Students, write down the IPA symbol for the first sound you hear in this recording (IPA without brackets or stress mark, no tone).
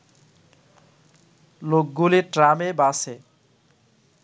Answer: l